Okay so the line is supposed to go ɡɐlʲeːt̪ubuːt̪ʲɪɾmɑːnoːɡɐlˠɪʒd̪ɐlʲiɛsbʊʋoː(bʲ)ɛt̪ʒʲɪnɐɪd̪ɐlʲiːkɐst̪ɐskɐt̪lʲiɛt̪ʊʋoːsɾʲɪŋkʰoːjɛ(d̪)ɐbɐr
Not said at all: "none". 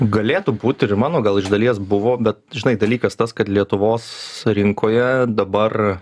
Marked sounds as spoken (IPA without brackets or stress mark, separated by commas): bʲ, d̪